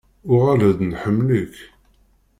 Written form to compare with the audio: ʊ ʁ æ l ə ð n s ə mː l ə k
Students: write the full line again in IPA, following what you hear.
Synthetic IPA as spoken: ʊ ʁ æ l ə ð n ħ ə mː l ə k

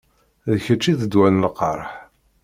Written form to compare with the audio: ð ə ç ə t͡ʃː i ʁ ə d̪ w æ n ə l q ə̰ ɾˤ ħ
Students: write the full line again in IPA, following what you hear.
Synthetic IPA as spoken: ð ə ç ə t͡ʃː i ð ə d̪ w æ n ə l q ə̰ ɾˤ ħ

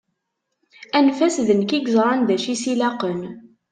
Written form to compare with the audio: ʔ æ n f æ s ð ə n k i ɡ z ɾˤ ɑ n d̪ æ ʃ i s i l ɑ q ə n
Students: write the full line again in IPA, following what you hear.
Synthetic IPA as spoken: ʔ æ n f æ s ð ə n k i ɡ z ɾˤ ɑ n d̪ æ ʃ i s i l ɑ q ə n

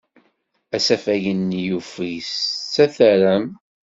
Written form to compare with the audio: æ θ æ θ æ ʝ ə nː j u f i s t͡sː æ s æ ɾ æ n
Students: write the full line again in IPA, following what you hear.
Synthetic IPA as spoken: æ s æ f æ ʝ ə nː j u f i s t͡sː æ θ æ ɾ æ m

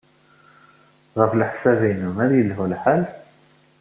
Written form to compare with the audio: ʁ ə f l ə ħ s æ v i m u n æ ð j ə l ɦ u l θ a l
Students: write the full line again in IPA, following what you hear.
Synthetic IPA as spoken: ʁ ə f l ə ħ s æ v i n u m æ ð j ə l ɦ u l ħ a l

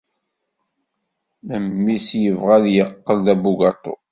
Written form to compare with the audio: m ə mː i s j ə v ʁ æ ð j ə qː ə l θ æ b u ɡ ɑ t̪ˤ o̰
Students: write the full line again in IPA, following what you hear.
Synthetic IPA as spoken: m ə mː i s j ə v ʁ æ ð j ə qː ə l ð æ b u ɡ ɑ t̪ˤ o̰

